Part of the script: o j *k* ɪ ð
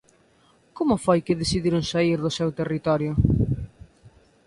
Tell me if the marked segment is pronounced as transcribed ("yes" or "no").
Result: yes